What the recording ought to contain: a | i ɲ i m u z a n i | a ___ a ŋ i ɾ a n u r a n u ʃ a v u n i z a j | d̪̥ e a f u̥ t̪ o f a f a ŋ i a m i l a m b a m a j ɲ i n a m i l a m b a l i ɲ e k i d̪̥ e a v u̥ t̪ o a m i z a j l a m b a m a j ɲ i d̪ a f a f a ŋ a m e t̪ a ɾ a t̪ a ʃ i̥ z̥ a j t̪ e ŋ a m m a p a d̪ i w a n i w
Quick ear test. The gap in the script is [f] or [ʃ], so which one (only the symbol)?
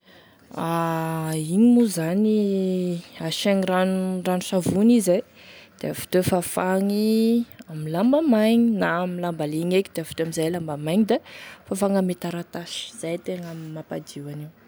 ʃ